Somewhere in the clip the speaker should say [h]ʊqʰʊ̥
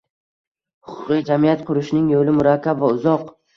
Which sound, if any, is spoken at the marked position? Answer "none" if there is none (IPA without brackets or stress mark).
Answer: h